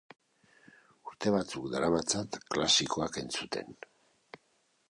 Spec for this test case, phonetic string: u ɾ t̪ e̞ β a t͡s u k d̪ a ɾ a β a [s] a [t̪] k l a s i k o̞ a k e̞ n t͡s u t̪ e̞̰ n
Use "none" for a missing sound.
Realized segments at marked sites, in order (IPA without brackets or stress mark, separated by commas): t͡s, t̪